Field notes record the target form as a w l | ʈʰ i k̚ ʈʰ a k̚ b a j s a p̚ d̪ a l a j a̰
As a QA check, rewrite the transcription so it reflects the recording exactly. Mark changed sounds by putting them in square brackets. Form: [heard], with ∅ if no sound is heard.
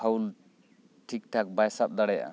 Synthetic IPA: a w l | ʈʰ i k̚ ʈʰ a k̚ b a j s a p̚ d̪ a [ɽ] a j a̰

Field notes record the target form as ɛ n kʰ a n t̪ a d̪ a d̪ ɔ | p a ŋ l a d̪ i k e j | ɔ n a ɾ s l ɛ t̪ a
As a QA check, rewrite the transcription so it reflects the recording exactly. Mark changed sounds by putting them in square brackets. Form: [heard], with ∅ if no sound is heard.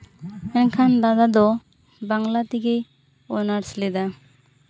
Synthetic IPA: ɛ n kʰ a n [d̪] a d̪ a d̪ ɔ | [b] a ŋ l a [t̪] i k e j | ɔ n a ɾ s l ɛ [d̪] a

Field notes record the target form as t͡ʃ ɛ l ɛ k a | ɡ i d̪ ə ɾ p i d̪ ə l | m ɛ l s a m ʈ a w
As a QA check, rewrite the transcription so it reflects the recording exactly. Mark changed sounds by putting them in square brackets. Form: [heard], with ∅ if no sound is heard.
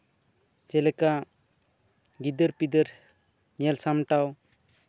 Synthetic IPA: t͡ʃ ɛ l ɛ k a | ɡ i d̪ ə ɾ p i d̪ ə [ɾ] | [ɲ] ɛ l s a m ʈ a w

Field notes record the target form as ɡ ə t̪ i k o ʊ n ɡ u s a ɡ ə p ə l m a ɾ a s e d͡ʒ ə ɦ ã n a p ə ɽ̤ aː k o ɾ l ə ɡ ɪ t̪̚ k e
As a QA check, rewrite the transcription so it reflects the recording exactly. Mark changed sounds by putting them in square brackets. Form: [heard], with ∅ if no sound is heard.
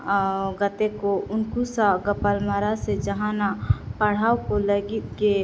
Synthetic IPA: ɡ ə t̪ [e] k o ʊ n [k] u s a ɡ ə p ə l m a ɾ a s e d͡ʒ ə ɦ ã n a p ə ɽ̤ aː k o [∅] l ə ɡ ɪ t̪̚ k e

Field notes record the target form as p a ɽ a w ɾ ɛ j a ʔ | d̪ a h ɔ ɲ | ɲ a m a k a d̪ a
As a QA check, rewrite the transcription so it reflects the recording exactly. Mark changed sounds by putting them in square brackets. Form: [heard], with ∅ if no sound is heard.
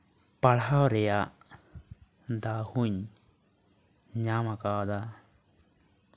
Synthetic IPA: p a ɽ a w ɾ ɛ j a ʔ | d̪ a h [u] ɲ | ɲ a m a k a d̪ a

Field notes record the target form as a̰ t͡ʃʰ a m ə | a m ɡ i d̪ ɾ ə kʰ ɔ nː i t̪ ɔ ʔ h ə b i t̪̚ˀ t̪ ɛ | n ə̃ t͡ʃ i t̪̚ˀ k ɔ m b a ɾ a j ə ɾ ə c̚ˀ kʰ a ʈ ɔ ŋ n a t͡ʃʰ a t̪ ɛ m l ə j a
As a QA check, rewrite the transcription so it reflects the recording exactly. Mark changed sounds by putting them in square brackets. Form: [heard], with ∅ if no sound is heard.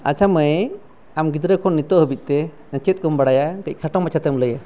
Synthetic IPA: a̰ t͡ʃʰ a m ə | a m ɡ i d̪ ɾ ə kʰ ɔ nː i t̪ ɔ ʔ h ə b i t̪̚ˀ t̪ ɛ | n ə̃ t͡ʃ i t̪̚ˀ k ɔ m b a [ɽ] a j [a] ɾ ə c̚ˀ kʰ a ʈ ɔ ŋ [m] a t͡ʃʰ a t̪ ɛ m l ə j a

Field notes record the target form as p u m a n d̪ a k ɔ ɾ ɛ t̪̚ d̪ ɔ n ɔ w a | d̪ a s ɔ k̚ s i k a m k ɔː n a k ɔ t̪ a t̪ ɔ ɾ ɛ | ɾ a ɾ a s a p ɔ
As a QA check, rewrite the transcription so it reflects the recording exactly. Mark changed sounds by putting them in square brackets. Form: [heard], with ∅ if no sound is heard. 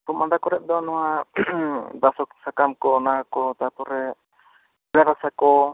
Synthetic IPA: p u m a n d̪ a k ɔ ɾ ɛ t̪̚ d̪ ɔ n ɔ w a | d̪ a s ɔ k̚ s [a] k a m k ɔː n a k ɔ t̪ a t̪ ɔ ɾ ɛ | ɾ a ɾ a s a [k] ɔ

